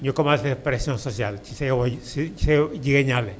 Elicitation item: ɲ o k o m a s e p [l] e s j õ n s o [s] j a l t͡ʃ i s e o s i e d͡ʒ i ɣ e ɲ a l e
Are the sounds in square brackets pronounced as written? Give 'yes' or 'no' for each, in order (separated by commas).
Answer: no, yes